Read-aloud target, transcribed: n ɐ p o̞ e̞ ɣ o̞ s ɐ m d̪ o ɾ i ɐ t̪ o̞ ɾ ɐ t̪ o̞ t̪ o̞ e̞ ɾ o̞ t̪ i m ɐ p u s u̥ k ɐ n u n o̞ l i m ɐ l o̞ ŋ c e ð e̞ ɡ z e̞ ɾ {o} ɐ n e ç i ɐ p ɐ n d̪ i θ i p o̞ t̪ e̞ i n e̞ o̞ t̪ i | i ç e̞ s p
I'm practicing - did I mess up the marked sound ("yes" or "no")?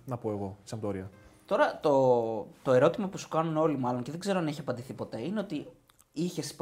no